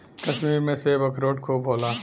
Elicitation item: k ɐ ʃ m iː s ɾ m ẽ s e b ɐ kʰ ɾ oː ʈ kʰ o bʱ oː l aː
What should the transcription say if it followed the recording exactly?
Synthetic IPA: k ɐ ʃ m iː ɾ m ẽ s e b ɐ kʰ ɾ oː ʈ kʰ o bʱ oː l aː